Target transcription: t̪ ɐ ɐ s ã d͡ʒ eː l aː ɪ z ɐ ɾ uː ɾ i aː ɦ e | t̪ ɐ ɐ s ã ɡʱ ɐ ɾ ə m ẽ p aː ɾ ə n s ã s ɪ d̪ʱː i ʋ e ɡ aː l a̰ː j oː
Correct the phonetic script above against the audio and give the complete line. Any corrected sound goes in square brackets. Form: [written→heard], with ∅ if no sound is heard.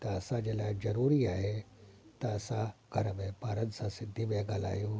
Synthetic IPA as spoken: t̪ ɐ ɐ s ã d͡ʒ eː l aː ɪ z ɐ ɾ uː ɾ i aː ɦ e | t̪ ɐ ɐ s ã ɡʱ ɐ ɾ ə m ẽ p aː ɾ ə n s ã s ɪ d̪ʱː i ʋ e ɡ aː l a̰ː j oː